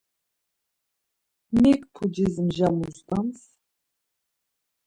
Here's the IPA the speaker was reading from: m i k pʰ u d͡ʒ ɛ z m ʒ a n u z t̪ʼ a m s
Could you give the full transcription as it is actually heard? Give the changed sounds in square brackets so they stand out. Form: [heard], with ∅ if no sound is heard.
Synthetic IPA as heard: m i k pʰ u d͡ʒ [i] z m ʒ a [m] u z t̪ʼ a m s